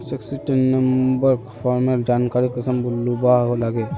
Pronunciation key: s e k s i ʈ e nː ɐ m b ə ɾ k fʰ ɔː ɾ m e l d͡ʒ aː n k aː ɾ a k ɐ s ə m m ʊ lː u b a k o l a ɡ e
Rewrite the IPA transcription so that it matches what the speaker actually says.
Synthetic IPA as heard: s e k s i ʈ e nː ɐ m b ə ɾ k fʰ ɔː ɾ m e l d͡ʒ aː n k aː ɾ i k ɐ s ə m b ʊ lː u b a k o l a ɡ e